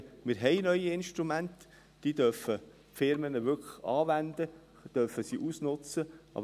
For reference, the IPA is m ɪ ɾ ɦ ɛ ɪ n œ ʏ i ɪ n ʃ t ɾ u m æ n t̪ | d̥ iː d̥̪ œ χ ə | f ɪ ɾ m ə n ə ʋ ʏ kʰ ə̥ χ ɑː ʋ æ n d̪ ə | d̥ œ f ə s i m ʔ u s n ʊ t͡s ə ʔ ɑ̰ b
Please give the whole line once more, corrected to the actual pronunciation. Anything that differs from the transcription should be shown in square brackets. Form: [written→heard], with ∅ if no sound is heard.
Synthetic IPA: m ɪ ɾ ɦ ɛ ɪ n œ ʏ i ɪ n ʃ t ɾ u m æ n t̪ | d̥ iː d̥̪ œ [χ→f] ə | f ɪ ɾ m ə n ə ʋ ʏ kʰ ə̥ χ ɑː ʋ æ n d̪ ə | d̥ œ f ə s i [m→∅] ʔ u s n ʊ t͡s ə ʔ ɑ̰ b